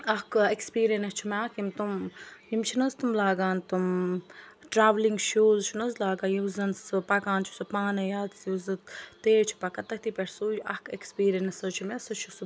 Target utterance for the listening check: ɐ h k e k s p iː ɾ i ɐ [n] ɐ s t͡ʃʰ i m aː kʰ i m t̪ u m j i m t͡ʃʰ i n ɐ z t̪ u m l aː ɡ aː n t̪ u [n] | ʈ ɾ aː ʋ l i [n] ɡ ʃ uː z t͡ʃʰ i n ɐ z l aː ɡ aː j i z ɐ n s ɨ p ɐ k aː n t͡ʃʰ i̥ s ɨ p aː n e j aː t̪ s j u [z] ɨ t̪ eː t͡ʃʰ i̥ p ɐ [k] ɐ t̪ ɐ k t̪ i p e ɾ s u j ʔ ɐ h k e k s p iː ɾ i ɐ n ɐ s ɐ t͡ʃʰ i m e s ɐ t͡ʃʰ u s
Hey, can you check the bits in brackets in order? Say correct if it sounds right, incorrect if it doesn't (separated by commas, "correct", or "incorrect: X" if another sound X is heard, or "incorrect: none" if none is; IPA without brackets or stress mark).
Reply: correct, incorrect: m, incorrect: ŋ, correct, correct